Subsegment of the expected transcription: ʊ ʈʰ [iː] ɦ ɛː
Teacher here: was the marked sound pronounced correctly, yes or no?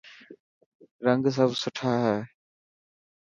no